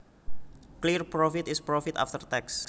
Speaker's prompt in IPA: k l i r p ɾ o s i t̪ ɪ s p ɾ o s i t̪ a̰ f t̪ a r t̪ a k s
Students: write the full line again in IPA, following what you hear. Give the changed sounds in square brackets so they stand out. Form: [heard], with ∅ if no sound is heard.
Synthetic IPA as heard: k l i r p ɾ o [f] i t̪ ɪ s p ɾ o [f] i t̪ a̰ f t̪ [ə] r t̪ [ɛ] k s